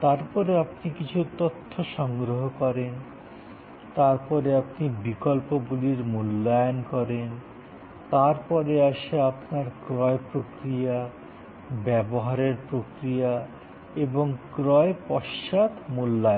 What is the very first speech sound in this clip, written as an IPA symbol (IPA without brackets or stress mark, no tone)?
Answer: t̪